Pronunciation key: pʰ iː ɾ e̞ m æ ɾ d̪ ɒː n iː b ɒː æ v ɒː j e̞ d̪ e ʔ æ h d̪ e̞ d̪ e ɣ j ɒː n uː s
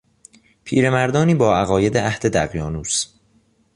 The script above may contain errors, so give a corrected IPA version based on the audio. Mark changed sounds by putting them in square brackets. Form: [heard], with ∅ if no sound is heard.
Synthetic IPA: pʰ iː ɾ e̞ m æ ɾ d̪ ɒː n iː b ɒː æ [ɣ] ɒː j e̞ d̪ e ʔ æ h d̪ e̞ d̪ [æ] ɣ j ɒː n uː s

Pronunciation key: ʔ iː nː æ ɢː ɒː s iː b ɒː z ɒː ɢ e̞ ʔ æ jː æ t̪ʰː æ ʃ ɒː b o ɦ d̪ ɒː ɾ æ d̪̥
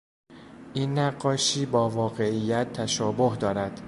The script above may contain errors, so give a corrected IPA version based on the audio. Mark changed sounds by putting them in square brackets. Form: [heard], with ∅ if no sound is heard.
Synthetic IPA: ʔ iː nː æ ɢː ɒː [ʃ] iː b ɒː [v] ɒː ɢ e̞ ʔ [i] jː æ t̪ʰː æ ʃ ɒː b o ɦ d̪ ɒː ɾ æ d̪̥

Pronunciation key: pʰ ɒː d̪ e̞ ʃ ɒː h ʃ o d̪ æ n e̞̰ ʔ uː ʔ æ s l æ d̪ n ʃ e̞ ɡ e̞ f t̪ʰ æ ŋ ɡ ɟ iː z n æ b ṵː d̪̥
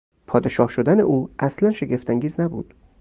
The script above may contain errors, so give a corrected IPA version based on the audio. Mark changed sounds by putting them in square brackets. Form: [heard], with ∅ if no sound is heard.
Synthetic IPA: pʰ ɒː d̪ e̞ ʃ ɒː h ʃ o d̪ æ n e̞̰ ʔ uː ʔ æ s l æ [∅] n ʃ e̞ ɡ e̞ f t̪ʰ æ ŋ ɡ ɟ iː z n æ b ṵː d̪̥

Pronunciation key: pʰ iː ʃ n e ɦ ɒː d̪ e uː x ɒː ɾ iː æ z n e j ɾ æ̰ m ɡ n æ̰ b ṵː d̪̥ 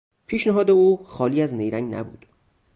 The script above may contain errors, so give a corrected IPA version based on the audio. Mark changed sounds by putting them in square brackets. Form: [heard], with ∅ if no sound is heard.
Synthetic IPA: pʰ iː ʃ n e ɦ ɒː d̪ e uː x ɒː [l] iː æ z n e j ɾ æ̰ [ŋ] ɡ n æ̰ b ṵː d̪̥

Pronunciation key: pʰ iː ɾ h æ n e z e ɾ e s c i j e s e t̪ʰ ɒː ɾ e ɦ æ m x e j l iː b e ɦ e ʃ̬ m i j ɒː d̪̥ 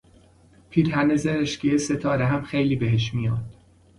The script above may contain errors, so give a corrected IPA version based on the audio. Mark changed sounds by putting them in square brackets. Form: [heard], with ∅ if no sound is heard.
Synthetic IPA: pʰ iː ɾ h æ n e z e ɾ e [ʃ] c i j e s e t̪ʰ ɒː ɾ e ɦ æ m x e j l iː b e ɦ e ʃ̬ m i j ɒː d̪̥

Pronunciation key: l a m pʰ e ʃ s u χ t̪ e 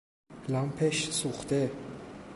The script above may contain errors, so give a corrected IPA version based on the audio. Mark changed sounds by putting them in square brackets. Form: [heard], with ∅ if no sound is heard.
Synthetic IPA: l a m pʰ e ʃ s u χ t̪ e

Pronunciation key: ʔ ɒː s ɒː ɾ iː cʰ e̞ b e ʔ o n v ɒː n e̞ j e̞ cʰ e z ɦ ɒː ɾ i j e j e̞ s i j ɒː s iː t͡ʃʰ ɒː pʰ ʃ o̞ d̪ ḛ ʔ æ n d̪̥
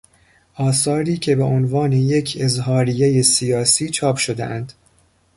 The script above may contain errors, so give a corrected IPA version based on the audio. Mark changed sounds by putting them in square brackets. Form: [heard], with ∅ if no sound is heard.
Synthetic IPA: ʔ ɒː s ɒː ɾ iː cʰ e̞ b e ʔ o n v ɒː n e̞ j e̞ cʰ e z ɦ ɒː ɾ i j e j e̞ s i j ɒː s iː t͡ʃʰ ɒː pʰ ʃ o̞ d̪ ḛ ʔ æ n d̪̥

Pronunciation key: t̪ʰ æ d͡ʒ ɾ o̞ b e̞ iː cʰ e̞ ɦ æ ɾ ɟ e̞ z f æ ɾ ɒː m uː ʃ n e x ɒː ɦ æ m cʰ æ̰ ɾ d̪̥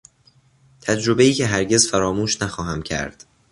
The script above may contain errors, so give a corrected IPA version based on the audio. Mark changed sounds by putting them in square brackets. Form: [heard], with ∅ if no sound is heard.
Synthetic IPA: t̪ʰ æ d͡ʒ ɾ o̞ b e̞ iː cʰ e̞ ɦ æ ɾ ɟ e̞ z f æ ɾ ɒː m uː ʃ n [æ] x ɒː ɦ æ m cʰ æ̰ ɾ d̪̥

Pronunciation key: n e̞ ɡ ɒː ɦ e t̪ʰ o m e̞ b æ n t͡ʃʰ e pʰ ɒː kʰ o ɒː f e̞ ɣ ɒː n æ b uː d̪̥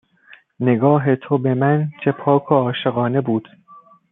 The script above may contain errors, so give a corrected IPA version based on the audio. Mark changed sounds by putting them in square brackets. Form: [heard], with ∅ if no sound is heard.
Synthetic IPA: n e̞ ɡ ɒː ɦ e t̪ʰ o [b] e̞ [m] æ n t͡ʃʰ e pʰ ɒː kʰ o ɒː [ʃ] e̞ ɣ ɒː n [e] b uː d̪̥

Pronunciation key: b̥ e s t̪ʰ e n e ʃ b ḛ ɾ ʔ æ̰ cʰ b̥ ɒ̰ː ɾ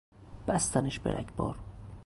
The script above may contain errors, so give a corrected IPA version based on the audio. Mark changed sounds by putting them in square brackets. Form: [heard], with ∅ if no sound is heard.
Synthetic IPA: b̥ [æ] s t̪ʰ [æ] n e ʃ b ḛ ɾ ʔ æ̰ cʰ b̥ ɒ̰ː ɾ

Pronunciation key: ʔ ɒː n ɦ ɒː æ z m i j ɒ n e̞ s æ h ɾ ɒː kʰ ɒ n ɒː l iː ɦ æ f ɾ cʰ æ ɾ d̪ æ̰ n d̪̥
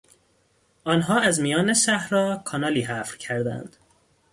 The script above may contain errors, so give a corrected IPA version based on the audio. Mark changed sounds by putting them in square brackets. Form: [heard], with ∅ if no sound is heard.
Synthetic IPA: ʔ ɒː n ɦ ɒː æ z m i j [ɒː] n e̞ [ʃ] æ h ɾ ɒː kʰ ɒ n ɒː l iː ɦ æ f ɾ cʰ æ ɾ d̪ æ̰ n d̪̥

